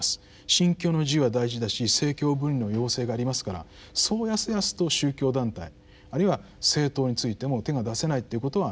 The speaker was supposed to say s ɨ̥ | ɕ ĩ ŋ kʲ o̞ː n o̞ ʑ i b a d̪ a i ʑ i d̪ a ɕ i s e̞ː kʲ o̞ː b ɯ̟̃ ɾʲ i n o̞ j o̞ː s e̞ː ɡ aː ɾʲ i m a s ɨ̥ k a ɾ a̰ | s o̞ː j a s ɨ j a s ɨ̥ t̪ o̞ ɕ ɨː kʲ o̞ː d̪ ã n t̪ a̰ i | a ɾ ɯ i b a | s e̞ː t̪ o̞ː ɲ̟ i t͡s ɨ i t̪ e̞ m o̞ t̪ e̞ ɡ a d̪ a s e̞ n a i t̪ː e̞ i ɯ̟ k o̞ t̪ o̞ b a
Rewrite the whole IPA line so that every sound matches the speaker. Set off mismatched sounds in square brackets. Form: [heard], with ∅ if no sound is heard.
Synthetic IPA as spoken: s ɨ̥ | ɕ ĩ ŋ kʲ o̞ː n o̞ ʑ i [β] a d̪ a i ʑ i d̪ a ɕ i s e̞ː kʲ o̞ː b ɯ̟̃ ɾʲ i n o̞ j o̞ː s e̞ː ɡ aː ɾʲ i m a s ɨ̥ k a ɾ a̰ | s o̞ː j a s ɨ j a s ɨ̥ t̪ o̞ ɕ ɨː kʲ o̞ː d̪ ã n t̪ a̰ i | a ɾ ɯ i [β] a | s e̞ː t̪ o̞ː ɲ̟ i t͡s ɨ i t̪ e̞ m o̞ t̪ e̞ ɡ a d̪ a s e̞ n a i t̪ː e̞ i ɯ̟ k o̞ t̪ o̞ [β] a